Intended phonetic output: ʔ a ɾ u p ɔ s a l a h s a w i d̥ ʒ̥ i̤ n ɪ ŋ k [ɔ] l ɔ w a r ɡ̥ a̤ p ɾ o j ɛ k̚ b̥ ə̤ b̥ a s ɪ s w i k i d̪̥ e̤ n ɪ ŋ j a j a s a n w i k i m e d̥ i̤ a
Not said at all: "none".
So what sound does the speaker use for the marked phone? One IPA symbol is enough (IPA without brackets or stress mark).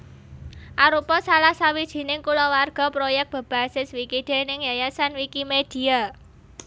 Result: u